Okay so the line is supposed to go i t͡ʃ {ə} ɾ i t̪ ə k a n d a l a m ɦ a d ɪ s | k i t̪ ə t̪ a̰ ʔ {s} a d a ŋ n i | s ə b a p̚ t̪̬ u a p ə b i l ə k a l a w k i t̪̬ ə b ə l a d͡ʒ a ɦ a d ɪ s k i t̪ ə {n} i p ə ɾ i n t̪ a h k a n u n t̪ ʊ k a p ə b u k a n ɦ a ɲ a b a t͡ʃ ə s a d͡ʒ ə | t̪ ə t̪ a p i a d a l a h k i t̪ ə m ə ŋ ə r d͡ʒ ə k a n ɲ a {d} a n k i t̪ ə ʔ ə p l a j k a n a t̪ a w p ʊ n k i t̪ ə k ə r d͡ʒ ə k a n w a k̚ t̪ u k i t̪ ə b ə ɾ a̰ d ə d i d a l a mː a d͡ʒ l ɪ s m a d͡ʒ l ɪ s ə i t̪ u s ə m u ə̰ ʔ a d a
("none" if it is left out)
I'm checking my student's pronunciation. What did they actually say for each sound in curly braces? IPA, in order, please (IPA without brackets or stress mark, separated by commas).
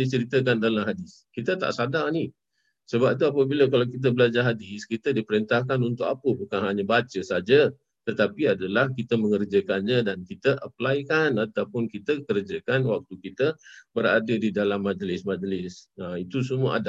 ə, s, d, d